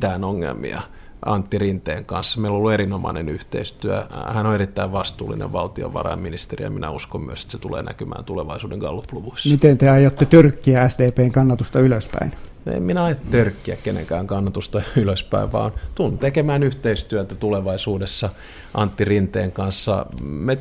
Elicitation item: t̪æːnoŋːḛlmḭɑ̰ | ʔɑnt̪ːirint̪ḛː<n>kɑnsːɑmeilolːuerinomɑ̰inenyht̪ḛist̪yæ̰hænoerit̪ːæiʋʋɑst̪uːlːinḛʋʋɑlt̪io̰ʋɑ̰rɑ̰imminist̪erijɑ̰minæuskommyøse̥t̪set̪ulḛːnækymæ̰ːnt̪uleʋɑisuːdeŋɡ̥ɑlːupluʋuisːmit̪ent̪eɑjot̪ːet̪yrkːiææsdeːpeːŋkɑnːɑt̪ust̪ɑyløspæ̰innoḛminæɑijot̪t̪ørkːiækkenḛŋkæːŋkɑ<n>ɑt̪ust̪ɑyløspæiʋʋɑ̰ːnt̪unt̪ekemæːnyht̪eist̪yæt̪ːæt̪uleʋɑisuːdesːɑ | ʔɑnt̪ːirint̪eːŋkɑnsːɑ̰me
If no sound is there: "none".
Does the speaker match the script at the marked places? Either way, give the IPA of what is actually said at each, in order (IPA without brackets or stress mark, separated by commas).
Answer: ŋ, nː